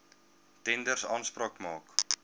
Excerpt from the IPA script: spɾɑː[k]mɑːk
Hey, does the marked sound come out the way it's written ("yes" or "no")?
yes